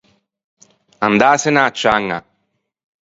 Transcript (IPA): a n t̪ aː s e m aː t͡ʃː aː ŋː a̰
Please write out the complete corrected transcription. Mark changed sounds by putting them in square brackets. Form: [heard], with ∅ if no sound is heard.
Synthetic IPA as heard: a n [d̪] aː s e [n] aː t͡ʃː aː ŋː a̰